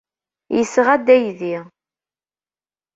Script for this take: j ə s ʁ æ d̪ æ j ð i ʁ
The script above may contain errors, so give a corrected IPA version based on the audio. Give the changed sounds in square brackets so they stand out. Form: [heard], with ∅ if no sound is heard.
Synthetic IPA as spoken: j ə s ʁ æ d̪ æ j ð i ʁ